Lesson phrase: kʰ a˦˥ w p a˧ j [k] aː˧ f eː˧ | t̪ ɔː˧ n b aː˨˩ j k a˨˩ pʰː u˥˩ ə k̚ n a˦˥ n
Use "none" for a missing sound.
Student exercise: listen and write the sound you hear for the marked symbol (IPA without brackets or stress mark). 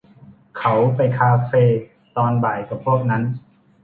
kʰ